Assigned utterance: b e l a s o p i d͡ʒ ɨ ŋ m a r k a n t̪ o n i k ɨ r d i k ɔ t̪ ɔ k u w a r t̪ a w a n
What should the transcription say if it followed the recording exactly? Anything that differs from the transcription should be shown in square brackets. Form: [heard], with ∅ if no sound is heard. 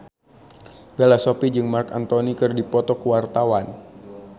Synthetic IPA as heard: b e l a s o p i d͡ʒ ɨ ŋ m a r k a n t̪ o n i k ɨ r d i [p] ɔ t̪ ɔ k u w a r t̪ a w a n